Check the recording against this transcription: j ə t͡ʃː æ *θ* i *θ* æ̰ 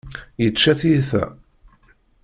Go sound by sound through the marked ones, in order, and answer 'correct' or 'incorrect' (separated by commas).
correct, correct